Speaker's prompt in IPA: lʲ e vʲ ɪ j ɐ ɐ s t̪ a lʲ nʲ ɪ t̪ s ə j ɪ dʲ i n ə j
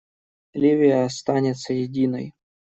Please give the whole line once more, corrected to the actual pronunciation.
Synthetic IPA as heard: lʲ i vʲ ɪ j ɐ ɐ s t̪ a nʲ ɪ t̪ s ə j ɪ dʲ i n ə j